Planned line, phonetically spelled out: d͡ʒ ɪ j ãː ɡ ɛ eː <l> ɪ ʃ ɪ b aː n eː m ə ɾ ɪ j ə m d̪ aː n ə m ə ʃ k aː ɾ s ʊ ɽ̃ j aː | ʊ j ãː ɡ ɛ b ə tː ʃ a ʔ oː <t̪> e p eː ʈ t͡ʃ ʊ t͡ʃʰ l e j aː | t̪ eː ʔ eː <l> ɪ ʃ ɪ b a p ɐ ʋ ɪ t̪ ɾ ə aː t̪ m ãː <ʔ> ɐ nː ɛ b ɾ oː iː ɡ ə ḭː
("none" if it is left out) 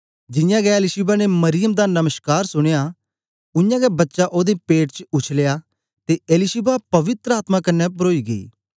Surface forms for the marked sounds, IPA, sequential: l, d̪, l, k

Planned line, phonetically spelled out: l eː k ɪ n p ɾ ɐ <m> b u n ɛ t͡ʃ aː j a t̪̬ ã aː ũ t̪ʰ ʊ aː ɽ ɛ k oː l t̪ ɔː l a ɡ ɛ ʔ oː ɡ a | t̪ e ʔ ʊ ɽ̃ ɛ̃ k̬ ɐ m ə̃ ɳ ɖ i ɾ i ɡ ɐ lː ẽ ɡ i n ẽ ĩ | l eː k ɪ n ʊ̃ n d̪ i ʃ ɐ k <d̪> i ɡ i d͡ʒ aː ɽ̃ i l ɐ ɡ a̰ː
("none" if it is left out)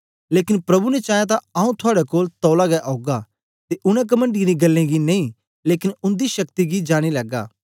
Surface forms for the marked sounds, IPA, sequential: none, t̪

